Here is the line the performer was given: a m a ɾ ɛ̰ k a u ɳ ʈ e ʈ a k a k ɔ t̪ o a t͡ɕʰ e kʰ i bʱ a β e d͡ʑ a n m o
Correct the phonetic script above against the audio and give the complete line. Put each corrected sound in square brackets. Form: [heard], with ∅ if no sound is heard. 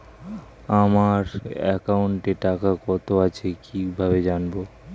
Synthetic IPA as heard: a m a ɾ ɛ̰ k a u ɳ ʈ e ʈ a k a k ɔ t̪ o a t͡ɕʰ e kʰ i bʱ a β e d͡ʑ a n [b] o